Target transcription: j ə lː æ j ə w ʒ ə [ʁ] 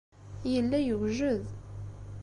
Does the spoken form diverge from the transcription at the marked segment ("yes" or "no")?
yes